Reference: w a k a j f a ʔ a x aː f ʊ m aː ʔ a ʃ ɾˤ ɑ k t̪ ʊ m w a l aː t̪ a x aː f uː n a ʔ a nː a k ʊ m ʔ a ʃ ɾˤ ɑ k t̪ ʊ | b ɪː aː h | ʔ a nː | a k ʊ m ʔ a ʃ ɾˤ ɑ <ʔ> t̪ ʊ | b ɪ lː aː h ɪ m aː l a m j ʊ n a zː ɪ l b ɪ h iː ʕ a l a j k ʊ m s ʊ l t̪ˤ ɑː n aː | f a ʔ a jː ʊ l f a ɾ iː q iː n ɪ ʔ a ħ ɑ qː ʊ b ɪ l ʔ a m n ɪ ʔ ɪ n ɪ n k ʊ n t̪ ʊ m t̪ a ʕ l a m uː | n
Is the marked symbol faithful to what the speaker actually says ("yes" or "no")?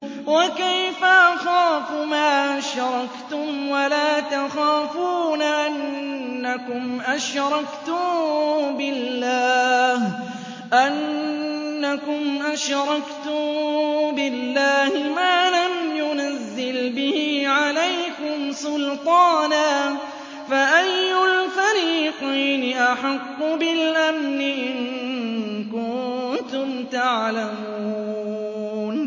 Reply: no